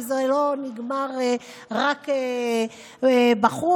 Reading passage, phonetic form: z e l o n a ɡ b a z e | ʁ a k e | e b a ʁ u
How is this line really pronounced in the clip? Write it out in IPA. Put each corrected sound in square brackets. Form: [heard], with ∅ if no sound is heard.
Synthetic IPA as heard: z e l o n [i] ɡ [m] a [ʁ] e | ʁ a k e | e b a [χ] u